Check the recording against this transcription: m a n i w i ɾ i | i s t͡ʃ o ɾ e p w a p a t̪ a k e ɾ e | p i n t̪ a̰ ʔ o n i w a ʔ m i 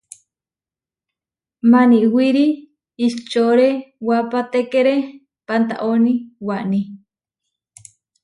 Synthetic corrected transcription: m a n i w i ɾ i | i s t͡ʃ o ɾ e w a p a t̪ e k e ɾ e | p a n t̪ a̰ ʔ o n i w a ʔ n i